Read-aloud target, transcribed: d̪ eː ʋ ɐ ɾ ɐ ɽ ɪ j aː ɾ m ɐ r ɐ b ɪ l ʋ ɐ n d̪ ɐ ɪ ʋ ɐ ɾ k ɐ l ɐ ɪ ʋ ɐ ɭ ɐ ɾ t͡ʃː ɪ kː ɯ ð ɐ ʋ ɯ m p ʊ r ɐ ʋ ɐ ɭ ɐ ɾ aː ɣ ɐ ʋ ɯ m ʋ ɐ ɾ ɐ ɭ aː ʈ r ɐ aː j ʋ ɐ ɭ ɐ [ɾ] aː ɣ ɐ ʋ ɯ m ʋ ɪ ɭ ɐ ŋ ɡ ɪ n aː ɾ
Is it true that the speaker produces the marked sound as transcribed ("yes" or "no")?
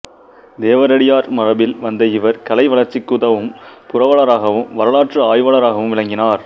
yes